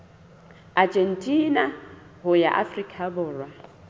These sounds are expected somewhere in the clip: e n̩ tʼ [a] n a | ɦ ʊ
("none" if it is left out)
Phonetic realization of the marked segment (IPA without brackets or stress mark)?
i